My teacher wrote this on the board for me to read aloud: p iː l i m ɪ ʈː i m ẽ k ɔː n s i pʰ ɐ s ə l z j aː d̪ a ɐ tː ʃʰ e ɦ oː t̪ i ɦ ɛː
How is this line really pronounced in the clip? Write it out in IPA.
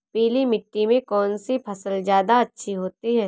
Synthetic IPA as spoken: p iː l i m ɪ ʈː i m ẽ k ɔː n s i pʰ ɐ s ə l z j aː d̪ a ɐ tː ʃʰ i ɦ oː t̪ i ɦ ɛː